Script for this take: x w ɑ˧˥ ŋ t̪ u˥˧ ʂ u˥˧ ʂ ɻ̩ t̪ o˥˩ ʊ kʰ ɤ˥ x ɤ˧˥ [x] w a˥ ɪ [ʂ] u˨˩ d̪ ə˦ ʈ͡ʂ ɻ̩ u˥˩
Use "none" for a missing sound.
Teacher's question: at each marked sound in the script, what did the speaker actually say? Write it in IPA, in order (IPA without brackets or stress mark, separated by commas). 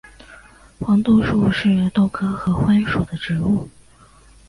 x, ʂ